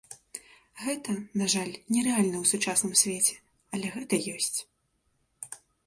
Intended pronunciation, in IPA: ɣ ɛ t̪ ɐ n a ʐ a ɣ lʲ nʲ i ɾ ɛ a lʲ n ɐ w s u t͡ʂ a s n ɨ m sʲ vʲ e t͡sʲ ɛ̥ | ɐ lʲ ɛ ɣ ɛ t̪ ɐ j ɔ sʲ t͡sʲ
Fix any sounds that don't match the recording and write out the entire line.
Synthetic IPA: ɣ ɛ t̪ ɐ n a ʐ a lʲ nʲ ɛ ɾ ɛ a lʲ n ɐ w s u t͡ʂ a s n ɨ m sʲ vʲ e t͡sʲ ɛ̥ | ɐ lʲ ɛ ɣ ɛ t̪ ɐ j ɔ sʲ t͡sʲ

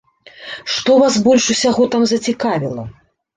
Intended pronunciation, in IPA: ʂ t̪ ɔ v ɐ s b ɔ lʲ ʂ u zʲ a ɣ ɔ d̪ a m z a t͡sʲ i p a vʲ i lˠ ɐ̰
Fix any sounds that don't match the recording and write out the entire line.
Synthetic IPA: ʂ t̪ ɔ v a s b ɔ lʲ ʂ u sʲ a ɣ ɔ t̪ a m z ɐ t͡sʲ i k a vʲ i lˠ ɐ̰

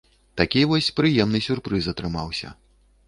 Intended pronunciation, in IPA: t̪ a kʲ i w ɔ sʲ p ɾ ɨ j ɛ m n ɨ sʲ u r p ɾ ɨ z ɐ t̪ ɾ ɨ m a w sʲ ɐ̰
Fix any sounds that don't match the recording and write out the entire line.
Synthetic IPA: t̪ a kʲ i v ɔ sʲ p ɾ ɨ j ɛ m n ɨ sʲ u r p ɾ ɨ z ɐ t̪ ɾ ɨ m a w sʲ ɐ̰

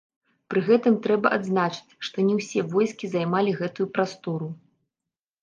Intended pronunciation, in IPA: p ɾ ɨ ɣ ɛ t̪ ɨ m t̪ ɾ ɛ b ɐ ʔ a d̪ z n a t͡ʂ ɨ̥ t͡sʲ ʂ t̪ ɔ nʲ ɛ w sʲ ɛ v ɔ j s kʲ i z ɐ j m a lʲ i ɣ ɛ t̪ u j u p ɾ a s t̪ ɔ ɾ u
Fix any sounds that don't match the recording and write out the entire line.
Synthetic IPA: p ɾ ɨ ɣ ɛ t̪ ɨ m t̪ ɾ ɛ b ɐ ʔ a d̪ z n a t͡ʂ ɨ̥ t͡sʲ ʂ t̪ ɔ nʲ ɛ w sʲ ɛ v ɔ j s kʲ i z a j m a lʲ i ɣ ɛ t̪ u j u p ɾ a s t̪ ɔ ɾ u

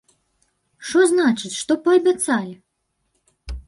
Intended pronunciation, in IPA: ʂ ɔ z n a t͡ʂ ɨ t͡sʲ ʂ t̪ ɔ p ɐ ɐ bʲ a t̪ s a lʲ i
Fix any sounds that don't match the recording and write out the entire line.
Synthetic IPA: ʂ ɔ z n a t͡ʂ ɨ t͡sʲ ʂ t̪ ɔ p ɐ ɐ bʲ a t̪ s a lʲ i

